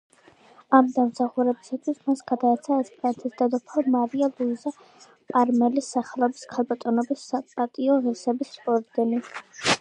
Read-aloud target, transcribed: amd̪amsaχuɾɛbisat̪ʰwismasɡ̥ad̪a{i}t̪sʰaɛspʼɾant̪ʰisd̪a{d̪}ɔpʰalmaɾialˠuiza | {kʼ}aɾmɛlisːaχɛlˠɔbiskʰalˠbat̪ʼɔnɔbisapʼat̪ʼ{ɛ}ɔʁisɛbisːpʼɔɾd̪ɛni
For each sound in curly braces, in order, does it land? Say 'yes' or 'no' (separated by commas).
no, yes, no, no